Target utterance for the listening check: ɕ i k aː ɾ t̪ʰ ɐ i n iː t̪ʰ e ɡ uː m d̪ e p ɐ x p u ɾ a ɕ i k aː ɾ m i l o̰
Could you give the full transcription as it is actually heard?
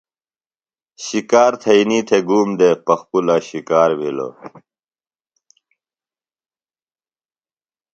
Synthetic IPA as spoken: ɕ i k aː ɾ t̪ʰ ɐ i n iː t̪ʰ e ɡ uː m d̪ e p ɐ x p u l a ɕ i k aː ɾ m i l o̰